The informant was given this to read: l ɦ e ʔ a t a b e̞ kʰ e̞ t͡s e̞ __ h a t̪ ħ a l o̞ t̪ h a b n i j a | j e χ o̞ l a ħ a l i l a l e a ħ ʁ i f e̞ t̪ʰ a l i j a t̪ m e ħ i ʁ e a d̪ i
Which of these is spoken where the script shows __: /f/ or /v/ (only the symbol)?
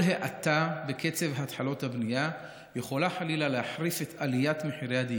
v